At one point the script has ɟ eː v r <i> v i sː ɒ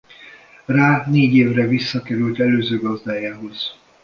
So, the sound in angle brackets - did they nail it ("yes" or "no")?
no